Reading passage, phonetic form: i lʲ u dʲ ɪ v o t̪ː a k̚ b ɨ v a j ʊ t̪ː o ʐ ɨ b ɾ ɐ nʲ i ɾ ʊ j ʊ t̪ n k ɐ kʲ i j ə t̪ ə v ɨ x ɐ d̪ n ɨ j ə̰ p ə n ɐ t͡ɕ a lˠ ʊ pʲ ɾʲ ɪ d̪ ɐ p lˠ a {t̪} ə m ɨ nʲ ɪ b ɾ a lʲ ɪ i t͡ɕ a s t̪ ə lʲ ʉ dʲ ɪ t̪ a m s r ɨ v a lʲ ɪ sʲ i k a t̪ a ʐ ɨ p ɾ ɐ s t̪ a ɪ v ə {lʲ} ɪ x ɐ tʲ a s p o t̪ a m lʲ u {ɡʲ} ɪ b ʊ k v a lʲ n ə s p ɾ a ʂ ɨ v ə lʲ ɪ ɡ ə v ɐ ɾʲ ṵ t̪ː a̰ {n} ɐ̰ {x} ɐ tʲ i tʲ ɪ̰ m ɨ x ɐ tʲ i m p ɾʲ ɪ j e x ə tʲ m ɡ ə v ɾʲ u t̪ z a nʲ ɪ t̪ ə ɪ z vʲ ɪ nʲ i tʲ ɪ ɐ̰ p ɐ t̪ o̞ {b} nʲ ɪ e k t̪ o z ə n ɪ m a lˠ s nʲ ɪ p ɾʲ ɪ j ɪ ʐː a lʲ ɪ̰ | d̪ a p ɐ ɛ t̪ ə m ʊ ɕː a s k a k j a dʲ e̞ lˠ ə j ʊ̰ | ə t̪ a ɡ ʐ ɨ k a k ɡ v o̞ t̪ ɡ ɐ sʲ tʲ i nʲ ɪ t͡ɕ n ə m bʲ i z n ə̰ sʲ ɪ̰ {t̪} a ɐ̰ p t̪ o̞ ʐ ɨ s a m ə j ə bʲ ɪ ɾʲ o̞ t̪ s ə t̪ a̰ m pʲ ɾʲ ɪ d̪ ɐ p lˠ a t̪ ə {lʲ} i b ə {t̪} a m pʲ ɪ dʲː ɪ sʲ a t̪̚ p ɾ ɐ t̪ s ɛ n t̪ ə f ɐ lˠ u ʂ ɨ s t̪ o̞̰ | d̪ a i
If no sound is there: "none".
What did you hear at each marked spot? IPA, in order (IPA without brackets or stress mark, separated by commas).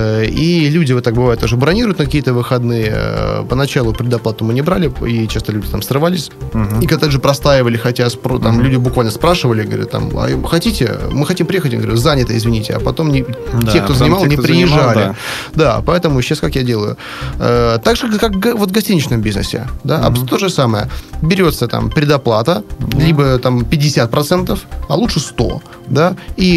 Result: t̪, lʲ, dʲ, m, x, m, d̪, lʲ, t̪